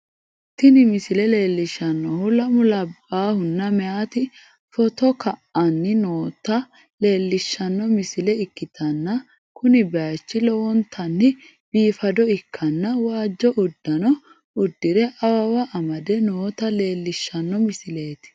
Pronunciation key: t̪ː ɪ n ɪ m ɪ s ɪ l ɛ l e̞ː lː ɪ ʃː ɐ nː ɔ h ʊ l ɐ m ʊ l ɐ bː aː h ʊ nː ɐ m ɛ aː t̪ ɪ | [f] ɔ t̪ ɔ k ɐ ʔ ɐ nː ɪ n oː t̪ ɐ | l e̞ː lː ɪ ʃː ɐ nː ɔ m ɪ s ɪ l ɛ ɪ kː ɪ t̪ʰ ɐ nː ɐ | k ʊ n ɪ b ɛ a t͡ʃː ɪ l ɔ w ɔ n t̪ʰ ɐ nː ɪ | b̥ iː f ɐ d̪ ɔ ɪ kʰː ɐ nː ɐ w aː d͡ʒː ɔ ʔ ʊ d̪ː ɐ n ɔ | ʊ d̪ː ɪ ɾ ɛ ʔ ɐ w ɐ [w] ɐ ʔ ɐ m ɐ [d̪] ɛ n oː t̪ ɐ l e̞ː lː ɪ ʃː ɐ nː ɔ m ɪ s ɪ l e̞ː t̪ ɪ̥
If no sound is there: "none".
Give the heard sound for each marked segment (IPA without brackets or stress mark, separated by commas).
f, w, d̪